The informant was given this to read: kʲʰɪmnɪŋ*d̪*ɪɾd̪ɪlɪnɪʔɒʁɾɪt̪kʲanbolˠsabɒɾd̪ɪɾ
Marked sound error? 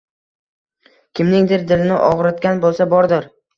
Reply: no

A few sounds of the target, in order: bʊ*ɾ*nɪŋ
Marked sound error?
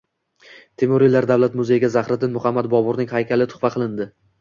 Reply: no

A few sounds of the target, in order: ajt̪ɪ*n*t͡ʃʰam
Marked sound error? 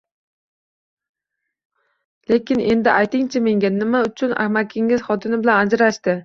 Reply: yes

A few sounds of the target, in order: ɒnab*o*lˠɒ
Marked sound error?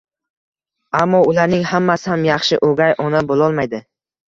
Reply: no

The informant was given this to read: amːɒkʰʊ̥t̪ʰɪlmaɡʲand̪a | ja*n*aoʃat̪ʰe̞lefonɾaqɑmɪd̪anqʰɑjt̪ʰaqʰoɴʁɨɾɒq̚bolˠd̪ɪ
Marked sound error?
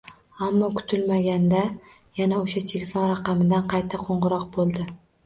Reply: no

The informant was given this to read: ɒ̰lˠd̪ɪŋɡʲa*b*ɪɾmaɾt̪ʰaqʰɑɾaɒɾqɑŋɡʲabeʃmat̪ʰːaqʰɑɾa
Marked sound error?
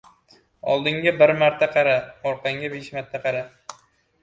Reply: no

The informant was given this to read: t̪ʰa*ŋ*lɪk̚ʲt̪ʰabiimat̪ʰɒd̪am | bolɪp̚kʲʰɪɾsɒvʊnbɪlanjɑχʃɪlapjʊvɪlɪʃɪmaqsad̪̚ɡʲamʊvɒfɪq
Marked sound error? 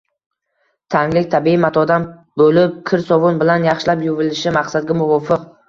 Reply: no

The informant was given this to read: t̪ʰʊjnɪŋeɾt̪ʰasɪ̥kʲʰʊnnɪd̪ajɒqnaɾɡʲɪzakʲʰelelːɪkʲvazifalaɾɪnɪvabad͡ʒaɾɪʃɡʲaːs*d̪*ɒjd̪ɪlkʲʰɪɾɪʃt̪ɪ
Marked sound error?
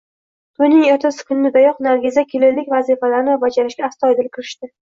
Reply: yes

